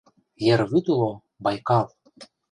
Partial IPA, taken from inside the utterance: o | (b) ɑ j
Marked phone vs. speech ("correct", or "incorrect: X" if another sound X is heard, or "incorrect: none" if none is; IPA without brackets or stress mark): correct